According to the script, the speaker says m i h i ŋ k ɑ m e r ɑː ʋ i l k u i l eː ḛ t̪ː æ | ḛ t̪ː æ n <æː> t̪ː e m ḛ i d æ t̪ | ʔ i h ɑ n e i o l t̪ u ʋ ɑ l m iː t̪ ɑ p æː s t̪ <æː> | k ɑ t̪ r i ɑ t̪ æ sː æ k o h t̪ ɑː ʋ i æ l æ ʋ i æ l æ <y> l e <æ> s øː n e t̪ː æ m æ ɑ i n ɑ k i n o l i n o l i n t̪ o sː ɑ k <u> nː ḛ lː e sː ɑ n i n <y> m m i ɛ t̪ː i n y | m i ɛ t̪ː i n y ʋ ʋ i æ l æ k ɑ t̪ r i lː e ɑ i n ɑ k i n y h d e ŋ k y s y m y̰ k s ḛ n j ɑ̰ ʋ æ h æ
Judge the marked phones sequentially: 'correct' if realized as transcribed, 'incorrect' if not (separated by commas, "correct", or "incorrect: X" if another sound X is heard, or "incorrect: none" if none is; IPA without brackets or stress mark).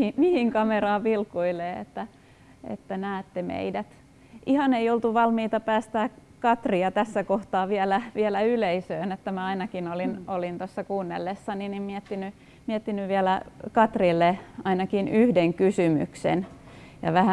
correct, correct, correct, incorrect: i, incorrect: uː, incorrect: i